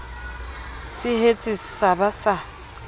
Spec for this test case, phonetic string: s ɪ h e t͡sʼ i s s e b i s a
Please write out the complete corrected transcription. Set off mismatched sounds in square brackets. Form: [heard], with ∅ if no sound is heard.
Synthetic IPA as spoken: s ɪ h e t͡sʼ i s s [a] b [a] s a

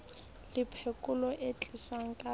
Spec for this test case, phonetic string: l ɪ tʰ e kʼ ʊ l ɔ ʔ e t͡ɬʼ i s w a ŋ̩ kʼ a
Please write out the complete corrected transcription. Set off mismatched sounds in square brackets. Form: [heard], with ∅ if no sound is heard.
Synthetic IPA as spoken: l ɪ [pʰ] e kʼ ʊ l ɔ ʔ e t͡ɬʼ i s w a ŋ̩ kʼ a

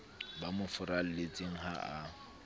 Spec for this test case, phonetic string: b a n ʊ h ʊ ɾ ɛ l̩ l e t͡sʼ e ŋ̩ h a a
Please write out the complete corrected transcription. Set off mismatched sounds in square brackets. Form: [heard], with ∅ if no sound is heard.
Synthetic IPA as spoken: b a [m] ʊ [f] ʊ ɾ [a] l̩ l e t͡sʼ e ŋ̩ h a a

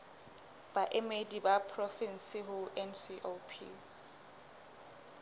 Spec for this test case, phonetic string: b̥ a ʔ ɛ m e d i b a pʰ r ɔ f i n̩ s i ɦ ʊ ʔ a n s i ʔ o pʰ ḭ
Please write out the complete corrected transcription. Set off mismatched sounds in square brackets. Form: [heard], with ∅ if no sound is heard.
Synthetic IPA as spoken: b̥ a ʔ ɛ m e d i b a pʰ r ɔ f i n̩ s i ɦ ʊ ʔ [ɛ] n s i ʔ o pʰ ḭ

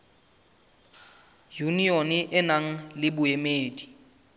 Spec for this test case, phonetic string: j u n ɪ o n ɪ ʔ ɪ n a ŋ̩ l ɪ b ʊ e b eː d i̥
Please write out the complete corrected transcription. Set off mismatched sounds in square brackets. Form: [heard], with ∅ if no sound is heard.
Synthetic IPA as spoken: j u n [i] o n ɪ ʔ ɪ n a ŋ̩ l ɪ b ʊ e [m] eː d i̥

